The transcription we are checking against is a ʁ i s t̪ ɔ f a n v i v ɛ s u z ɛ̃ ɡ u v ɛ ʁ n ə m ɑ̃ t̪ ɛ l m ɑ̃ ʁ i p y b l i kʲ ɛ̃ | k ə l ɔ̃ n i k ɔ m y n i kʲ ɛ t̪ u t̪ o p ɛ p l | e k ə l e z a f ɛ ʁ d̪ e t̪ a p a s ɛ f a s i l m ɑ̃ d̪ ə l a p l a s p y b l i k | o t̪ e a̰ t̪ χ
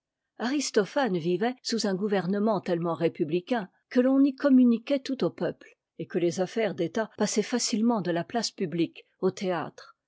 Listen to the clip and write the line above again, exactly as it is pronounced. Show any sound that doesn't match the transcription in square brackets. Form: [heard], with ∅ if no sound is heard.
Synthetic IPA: a ʁ i s t̪ ɔ f a n v i v ɛ s u z ɛ̃ ɡ u v ɛ ʁ n ə m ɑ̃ t̪ ɛ l m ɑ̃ ʁ [e] p y b l i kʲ ɛ̃ | k ə l ɔ̃ n i k ɔ m y n i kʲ ɛ t̪ u t̪ o p [œ] p l | e k ə l e z a f ɛ ʁ d̪ e t̪ a p a s ɛ f a s i l m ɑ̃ d̪ ə l a p l a s p y b l i k | o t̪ e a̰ t̪ χ